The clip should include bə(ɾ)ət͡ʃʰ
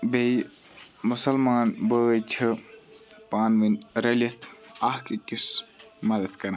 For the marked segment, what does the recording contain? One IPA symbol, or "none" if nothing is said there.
none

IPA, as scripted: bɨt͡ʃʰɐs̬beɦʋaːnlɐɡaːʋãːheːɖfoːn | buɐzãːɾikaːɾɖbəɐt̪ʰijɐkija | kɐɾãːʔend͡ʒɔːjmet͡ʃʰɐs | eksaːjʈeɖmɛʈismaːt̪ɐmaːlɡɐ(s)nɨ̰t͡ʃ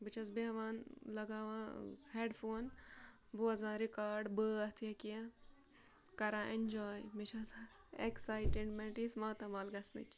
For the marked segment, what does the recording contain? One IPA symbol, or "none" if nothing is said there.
s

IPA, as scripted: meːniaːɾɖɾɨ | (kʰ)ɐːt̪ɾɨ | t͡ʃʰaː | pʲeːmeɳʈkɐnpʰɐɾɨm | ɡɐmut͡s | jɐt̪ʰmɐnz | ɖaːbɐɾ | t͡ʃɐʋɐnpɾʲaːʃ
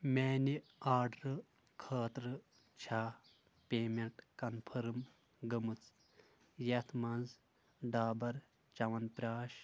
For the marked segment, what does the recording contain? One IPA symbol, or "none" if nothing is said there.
kʰ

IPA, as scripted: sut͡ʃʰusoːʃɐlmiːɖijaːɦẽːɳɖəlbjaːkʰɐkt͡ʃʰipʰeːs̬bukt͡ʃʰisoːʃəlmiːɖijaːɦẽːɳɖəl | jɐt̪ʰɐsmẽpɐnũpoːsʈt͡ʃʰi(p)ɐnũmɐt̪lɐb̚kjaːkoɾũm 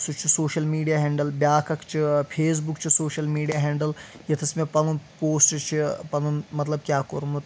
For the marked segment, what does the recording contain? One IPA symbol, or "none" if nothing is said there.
p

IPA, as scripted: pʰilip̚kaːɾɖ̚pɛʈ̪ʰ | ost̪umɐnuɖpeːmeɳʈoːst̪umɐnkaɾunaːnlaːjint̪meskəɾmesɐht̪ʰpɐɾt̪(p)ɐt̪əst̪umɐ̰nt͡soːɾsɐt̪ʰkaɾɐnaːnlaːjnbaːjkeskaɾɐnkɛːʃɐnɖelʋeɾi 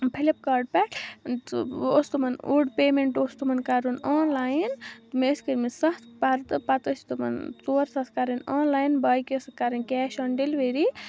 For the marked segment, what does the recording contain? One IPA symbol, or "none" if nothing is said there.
p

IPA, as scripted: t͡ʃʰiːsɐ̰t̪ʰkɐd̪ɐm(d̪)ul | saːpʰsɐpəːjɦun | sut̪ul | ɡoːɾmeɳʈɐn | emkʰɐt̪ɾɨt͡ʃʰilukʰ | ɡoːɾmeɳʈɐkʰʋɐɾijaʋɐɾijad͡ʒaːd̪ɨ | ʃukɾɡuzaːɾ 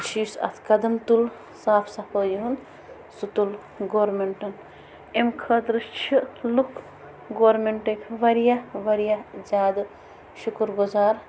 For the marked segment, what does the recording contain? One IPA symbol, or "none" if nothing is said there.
t̪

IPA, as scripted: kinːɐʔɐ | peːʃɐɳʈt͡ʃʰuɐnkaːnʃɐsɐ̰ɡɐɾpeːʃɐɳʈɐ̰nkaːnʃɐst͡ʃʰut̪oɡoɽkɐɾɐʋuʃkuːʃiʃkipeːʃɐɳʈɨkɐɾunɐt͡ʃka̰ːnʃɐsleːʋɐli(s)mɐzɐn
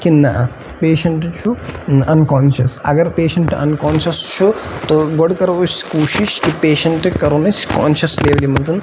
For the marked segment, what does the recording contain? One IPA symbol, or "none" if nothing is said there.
none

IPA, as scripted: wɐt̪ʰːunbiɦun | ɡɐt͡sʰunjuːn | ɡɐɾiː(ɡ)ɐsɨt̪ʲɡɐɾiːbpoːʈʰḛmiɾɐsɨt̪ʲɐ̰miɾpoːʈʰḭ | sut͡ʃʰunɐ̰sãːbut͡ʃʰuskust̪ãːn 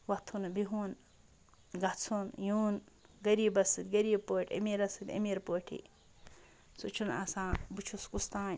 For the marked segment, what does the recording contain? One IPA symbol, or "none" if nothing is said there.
b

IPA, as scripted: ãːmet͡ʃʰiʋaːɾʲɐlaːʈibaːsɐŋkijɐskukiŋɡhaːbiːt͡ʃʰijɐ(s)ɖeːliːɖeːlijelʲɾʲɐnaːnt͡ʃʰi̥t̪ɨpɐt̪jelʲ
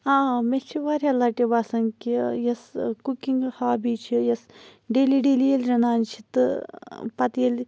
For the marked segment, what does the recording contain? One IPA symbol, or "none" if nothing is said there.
s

